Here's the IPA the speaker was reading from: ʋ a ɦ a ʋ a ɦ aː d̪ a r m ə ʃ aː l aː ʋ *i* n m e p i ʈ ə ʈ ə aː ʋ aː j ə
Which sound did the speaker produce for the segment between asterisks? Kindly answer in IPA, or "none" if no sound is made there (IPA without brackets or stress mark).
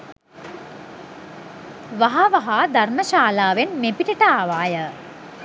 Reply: e